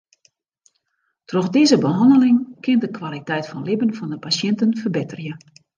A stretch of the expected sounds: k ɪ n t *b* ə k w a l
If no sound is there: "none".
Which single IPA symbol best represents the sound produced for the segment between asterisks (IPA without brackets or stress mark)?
d